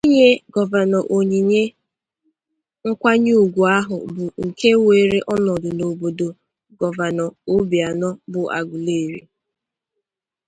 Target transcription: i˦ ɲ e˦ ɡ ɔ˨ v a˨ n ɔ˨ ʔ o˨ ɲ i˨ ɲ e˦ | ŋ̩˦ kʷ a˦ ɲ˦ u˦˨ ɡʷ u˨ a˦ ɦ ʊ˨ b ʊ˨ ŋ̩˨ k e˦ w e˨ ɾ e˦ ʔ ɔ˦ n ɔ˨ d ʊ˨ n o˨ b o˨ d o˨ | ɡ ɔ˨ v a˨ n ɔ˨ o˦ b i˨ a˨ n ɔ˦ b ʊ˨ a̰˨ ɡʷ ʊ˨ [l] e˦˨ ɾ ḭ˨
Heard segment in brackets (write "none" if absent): l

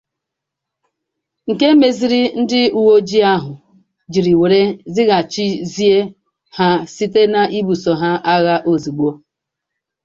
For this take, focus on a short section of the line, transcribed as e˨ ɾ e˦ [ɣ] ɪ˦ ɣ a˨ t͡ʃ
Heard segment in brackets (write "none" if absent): z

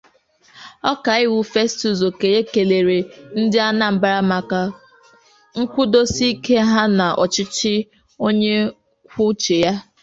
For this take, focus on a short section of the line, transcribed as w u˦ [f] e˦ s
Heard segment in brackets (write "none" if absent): f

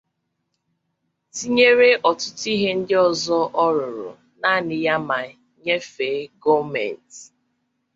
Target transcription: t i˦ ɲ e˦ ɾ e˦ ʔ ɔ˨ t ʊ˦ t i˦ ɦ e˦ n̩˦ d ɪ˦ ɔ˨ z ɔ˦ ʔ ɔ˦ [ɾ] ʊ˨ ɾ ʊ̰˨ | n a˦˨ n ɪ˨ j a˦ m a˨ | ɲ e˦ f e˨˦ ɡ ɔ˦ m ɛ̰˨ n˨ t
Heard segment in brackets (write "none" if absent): ɾ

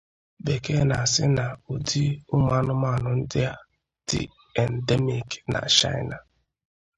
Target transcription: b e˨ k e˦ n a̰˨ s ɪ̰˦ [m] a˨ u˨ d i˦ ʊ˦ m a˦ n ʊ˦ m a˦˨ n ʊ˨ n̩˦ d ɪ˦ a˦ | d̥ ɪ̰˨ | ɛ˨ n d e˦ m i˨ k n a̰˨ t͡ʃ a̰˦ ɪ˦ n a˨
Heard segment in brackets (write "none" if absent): n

